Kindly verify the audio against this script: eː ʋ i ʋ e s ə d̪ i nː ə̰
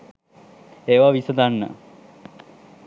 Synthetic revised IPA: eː ʋ a ʋ i s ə d̪ a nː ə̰